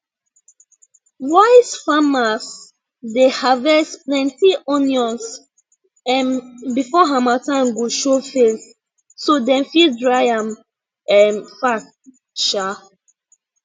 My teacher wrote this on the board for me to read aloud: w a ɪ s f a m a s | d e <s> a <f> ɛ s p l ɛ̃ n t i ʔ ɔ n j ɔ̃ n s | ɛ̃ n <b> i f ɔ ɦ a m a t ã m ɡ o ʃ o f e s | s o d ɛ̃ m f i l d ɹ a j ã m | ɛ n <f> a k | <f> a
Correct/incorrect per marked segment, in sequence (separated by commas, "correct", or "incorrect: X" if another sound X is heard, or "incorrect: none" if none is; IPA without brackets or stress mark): incorrect: h, incorrect: v, correct, correct, incorrect: ʃ